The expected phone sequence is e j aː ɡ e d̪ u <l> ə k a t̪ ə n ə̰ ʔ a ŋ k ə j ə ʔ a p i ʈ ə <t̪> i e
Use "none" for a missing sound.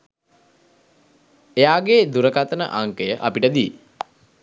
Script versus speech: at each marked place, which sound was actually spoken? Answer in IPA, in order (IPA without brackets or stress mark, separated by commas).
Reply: ɾ, d̪